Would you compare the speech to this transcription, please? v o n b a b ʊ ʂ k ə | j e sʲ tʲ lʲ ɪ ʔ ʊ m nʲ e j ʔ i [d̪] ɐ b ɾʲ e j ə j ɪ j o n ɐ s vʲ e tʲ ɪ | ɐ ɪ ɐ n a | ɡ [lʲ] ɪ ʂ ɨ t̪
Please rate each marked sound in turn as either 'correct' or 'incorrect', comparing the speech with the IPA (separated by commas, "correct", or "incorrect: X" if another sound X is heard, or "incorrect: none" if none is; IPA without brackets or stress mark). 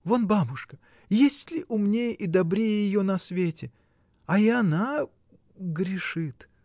correct, incorrect: ɾʲ